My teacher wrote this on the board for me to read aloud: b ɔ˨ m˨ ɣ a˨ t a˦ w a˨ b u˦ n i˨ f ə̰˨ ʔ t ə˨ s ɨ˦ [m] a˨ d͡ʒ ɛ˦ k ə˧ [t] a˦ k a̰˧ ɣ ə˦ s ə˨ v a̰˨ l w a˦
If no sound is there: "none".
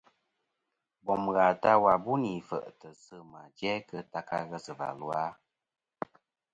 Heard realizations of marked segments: m, t

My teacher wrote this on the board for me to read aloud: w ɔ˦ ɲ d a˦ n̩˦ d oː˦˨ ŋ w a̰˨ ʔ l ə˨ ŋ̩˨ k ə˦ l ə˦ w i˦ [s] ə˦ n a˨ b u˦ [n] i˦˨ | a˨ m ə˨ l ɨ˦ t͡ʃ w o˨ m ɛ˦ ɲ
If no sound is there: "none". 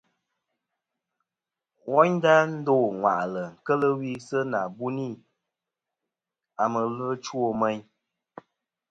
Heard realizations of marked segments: s, n

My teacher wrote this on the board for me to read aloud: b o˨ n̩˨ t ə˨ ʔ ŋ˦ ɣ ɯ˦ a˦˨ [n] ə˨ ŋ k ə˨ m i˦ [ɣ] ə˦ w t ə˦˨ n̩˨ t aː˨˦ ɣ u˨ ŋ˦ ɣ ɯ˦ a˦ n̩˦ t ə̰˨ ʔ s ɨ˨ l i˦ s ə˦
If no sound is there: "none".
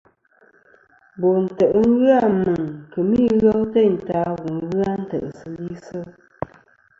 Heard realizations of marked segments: m, ɣ

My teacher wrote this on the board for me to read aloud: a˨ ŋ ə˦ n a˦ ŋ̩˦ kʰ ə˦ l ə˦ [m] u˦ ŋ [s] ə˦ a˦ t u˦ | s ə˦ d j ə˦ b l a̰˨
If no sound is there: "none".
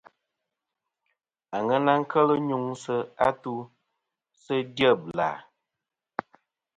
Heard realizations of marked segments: ɲ, s

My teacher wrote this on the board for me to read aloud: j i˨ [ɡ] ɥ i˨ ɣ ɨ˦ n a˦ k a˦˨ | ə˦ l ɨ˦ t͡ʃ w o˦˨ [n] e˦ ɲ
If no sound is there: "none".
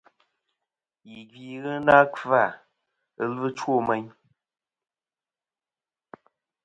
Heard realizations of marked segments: ɡ, m

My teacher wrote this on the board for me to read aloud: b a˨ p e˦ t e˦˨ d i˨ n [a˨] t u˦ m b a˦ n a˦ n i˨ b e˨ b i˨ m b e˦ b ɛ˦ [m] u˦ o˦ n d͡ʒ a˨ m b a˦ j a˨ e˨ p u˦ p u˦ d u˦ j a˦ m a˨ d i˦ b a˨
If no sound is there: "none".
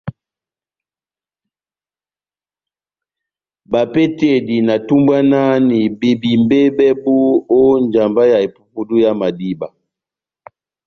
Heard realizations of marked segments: a˨, b

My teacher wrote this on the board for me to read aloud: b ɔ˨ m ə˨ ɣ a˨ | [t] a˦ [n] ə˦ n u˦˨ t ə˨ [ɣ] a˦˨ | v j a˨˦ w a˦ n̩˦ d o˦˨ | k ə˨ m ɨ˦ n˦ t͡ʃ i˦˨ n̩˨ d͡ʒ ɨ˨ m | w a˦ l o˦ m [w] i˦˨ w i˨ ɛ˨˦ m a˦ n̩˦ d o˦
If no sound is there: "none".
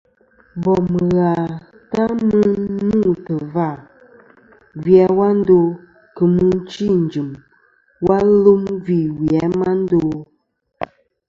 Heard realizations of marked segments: t, m, v, v

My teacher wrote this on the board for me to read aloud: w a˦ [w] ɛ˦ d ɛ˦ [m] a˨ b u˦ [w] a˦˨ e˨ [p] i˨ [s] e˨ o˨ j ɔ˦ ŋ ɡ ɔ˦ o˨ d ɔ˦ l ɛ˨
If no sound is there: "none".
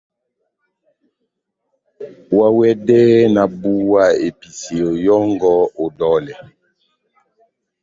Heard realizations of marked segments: w, n, w, p, s

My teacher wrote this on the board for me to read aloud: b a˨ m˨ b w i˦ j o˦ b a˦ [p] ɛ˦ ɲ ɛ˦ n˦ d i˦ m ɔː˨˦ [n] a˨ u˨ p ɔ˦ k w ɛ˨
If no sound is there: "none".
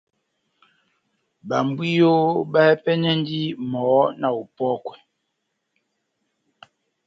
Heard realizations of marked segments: p, n

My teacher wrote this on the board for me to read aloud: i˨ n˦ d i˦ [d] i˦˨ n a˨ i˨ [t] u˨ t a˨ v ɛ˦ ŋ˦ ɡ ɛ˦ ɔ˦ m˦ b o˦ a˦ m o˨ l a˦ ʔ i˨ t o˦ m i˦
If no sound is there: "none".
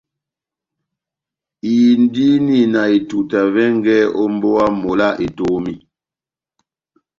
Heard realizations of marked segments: n, t

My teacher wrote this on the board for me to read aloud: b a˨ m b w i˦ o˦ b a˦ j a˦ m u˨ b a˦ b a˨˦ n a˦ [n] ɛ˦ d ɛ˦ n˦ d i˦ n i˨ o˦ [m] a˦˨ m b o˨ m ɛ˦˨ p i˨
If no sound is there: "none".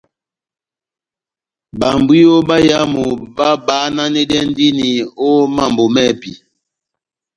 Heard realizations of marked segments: n, m

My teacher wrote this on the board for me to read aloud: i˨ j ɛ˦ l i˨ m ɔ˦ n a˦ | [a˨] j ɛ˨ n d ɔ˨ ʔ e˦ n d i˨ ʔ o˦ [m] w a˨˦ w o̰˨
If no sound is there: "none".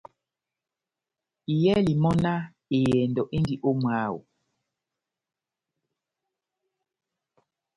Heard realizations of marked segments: e˨, m

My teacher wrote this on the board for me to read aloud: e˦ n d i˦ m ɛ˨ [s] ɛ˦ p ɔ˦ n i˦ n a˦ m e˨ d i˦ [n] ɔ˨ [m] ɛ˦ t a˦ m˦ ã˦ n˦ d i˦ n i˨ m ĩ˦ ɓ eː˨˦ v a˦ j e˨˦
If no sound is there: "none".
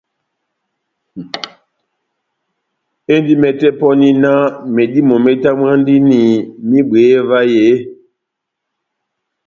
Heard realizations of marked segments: t, m, m

